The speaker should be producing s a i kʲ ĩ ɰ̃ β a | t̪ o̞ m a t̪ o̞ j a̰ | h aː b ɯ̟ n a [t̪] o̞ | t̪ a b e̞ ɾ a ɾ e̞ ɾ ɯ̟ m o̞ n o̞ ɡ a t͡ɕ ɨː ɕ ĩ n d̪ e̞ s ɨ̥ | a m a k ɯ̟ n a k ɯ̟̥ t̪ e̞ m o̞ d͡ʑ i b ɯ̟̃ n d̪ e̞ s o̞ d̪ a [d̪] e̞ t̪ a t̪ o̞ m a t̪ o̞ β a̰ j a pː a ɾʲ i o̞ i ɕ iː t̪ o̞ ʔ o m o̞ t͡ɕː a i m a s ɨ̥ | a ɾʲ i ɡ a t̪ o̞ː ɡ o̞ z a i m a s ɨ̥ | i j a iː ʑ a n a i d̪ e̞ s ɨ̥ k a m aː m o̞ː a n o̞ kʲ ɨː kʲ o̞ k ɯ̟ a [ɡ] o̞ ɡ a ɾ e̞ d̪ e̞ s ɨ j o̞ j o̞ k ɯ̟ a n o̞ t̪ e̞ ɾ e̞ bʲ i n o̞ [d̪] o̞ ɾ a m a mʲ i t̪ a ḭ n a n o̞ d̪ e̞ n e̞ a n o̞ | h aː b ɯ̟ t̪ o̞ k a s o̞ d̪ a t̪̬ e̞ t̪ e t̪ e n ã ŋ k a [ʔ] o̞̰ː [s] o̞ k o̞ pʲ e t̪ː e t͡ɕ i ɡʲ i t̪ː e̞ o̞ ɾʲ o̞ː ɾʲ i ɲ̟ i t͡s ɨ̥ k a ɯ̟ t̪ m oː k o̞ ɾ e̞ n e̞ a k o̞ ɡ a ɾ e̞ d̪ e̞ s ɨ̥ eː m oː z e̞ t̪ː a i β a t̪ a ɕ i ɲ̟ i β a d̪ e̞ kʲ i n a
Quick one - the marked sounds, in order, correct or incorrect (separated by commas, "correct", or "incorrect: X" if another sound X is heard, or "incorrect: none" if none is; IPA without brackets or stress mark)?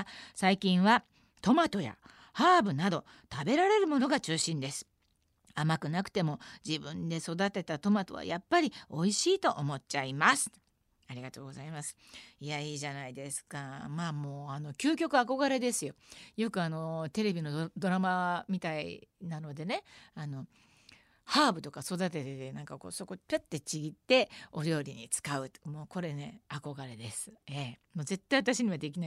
incorrect: d̪, incorrect: t̪, incorrect: k, correct, incorrect: k, correct